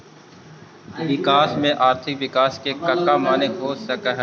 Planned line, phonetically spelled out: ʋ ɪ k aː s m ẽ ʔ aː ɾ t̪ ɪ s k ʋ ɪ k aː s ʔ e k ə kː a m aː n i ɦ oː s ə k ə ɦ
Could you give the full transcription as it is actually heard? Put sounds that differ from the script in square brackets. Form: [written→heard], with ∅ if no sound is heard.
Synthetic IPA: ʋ ɪ k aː s m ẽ ʔ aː ɾ [t̪→t̪ʰ] ɪ [s→∅] k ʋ ɪ k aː s [ʔ→k] e k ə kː a m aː n [i→e] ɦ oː s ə k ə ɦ